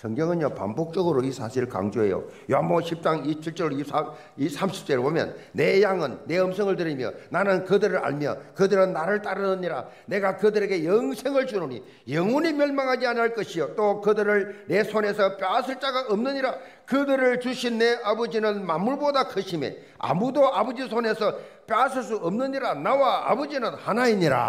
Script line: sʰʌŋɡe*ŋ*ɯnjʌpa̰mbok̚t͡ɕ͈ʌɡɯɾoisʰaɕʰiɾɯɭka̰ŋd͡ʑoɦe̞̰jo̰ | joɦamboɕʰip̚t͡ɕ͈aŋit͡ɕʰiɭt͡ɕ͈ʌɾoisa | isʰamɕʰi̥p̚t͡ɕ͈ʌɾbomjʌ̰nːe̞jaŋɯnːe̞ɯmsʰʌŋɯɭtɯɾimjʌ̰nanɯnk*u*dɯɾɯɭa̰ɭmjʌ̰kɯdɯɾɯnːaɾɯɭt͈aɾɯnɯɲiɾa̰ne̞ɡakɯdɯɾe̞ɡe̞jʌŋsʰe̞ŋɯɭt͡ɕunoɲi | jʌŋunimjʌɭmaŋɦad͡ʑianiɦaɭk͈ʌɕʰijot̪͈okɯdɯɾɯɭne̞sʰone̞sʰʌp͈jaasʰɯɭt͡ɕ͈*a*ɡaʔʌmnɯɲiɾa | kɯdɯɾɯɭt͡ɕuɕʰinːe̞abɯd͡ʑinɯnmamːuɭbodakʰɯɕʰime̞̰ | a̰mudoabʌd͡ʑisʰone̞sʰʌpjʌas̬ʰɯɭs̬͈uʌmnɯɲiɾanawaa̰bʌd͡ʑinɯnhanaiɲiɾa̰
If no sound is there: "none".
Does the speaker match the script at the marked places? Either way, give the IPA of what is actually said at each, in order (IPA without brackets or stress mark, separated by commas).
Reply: ŋ, ɯ, a